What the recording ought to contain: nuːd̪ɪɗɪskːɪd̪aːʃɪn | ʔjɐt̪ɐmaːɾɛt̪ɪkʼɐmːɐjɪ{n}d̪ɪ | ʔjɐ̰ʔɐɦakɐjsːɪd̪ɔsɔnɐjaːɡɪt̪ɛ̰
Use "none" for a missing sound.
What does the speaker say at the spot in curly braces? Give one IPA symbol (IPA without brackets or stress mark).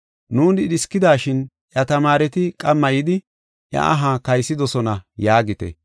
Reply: none